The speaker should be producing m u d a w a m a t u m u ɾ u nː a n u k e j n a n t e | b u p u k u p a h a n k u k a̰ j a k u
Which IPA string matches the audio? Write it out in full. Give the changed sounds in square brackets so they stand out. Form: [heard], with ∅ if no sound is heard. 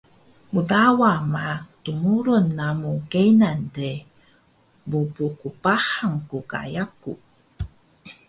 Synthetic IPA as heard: m u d a w a m a t u m u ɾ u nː a [m] u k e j n a n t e | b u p u k u p a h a [ŋ] k u k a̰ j a k u